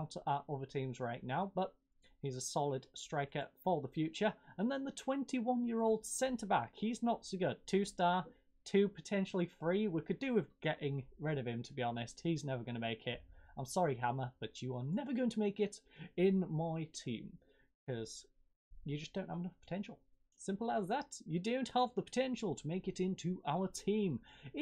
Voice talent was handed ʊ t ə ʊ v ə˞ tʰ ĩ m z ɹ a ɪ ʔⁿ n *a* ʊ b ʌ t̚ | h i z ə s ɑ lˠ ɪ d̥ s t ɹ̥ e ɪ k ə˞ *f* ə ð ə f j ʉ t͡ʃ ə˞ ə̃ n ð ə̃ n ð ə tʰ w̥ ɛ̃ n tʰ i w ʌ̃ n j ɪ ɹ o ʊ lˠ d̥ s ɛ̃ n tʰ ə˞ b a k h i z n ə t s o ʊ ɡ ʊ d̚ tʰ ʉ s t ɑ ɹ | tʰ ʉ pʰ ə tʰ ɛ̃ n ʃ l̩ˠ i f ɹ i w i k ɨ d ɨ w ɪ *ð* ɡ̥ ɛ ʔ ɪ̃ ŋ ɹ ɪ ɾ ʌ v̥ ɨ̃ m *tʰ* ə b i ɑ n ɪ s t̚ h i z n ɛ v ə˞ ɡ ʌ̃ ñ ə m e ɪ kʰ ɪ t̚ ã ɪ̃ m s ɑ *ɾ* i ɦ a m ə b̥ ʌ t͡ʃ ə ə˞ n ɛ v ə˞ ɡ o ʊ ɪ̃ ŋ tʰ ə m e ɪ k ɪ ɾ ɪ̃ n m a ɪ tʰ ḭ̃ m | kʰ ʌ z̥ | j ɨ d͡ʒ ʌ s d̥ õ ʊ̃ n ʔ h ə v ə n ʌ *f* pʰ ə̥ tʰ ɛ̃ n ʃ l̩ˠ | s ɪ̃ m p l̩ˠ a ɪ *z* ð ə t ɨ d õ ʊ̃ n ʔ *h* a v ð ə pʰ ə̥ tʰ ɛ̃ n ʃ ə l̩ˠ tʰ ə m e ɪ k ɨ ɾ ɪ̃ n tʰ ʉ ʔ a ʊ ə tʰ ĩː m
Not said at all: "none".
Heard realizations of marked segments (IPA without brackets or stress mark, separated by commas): a, f, ð, tʰ, ɹ, f, z, h